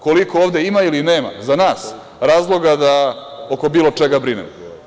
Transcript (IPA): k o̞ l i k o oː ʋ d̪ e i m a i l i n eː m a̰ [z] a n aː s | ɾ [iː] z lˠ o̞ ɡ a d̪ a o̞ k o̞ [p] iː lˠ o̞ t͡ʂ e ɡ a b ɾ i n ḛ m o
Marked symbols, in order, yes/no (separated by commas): yes, no, no